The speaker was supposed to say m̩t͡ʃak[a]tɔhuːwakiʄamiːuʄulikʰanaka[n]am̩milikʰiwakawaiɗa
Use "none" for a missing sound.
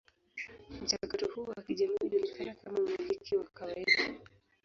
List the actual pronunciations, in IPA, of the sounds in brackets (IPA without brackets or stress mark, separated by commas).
a, m